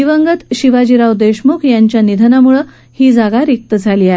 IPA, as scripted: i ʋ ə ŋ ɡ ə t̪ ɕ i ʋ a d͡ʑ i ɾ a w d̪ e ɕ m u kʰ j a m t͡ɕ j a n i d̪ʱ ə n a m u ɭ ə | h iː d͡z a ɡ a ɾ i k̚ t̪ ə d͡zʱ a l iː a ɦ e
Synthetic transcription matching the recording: i ʋ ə ŋ ɡ ə t̪ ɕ i ʋ a d͡ʑ i ɾ a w d̪ e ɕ m u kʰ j a ɲ t͡ɕ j a n i d̪ʱ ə n a m u ɭ ə | h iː d͡z a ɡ a ɾ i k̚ t̪ ə d͡zʱ a l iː a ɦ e